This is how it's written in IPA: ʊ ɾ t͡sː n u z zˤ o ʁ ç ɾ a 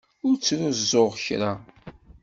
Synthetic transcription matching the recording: ʊ ɾ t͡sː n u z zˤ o ʁ ç ɾ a